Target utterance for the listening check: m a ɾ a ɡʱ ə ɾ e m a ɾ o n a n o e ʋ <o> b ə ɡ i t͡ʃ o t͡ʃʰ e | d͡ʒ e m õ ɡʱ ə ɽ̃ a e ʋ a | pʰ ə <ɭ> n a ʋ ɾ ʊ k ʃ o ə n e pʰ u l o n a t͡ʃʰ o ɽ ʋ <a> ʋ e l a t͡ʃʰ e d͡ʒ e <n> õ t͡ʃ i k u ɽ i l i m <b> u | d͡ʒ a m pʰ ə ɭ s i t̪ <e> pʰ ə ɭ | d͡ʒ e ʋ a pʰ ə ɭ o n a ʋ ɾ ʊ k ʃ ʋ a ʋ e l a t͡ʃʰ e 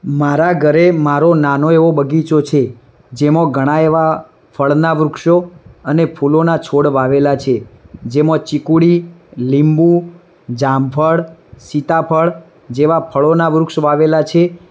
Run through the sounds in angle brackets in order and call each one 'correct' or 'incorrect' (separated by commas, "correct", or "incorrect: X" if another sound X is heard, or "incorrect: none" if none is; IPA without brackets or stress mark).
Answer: correct, correct, correct, incorrect: m, correct, incorrect: a